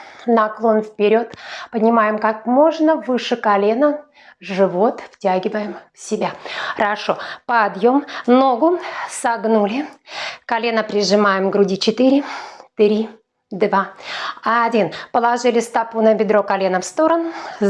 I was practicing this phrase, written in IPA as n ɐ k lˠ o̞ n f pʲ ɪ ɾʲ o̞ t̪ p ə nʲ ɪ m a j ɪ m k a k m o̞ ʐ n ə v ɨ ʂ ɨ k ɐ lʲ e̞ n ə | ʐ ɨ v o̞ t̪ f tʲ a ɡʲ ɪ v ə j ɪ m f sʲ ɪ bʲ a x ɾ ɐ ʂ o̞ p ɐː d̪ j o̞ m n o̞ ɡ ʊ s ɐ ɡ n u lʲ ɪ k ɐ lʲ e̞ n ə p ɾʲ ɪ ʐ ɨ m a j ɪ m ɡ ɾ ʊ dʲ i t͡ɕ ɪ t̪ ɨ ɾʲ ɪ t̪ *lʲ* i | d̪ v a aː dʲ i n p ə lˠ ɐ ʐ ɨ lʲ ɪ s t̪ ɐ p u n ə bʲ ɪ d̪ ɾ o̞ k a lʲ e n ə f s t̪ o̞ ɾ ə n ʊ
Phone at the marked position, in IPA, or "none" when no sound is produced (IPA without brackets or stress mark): ɾʲ